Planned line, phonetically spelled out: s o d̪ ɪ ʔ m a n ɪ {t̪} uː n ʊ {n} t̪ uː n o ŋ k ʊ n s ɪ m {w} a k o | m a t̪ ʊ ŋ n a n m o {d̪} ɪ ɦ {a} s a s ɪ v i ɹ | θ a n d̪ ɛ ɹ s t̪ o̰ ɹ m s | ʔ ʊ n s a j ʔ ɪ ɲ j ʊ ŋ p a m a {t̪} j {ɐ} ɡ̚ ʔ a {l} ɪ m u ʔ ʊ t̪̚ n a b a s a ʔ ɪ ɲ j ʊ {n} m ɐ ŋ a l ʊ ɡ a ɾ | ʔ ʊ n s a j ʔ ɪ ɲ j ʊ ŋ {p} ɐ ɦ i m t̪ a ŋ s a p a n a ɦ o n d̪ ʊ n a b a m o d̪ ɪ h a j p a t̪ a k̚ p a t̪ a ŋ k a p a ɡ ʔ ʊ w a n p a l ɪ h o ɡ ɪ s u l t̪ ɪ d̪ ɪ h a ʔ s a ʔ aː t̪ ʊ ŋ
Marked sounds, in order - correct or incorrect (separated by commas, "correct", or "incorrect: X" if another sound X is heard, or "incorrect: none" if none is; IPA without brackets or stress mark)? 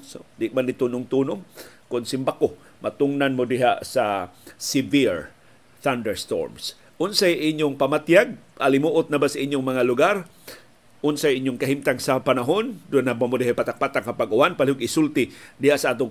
correct, incorrect: ŋ, incorrect: b, correct, correct, correct, incorrect: a, correct, incorrect: ŋ, incorrect: k